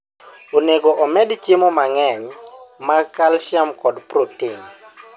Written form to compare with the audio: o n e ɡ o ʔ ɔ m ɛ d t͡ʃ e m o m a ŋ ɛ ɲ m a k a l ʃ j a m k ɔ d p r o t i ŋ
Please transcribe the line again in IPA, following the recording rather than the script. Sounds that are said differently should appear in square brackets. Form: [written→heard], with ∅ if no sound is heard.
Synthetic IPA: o n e ɡ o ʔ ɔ m ɛ d t͡ʃ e m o m a ŋ ɛ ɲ m a k a l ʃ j a m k ɔ d p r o t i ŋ